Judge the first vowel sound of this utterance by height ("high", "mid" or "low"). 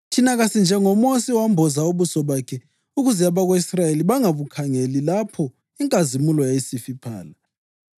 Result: high